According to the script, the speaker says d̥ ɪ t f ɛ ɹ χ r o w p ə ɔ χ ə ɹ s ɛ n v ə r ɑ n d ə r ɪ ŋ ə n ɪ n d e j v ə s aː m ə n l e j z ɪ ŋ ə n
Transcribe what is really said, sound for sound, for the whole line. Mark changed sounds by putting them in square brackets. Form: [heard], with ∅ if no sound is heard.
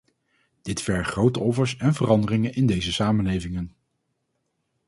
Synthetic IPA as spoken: d̥ ɪ t f ɛ ɹ χ r o w [t] ə ɔ [f] ə ɹ s ɛ n v ə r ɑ n d ə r ɪ ŋ ə n ɪ n d e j [z] ə s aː m ə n l e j [v] ɪ ŋ ə n